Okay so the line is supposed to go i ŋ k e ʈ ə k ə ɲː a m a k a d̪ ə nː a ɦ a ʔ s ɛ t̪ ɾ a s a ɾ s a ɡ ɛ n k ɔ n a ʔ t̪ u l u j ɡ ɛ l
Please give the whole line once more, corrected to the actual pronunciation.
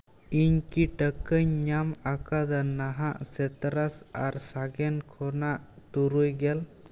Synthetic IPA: i ɲ k i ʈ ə k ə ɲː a m a k a d̪ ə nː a ɦ a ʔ s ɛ t̪ ɾ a s a ɾ s a ɡ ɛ n kʰ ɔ n a ʔ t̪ u ɾ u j ɡ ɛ l